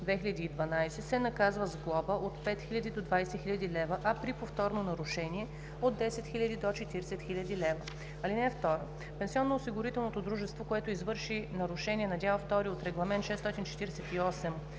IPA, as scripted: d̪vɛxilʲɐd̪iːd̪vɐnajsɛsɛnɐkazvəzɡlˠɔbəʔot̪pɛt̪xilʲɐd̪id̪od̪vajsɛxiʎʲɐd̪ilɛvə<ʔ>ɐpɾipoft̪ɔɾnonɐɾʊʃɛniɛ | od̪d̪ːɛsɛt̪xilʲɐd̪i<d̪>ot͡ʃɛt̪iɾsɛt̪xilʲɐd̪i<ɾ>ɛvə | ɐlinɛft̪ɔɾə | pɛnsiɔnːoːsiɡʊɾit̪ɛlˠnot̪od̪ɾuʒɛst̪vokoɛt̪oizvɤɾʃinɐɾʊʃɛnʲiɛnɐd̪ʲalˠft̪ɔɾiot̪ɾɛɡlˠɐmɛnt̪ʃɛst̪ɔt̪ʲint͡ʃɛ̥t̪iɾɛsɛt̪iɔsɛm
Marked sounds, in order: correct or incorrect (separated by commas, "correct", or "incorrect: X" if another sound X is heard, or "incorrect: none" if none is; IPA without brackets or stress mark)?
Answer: correct, correct, incorrect: l